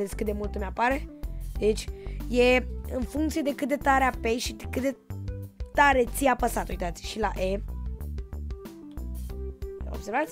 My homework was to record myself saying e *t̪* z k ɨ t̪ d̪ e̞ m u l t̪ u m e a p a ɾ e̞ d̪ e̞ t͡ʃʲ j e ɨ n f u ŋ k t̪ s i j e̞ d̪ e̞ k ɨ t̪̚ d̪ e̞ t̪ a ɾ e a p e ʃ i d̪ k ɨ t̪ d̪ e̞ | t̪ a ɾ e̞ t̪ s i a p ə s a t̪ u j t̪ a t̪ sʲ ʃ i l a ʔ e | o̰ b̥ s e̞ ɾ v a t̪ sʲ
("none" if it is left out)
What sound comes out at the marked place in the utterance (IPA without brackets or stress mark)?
none